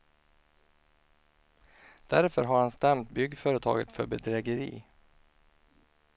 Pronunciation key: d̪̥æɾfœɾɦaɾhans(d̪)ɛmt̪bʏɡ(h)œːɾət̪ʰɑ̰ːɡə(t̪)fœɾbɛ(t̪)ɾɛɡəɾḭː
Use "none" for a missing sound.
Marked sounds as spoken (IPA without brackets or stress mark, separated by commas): t̪, f, t̪, d̪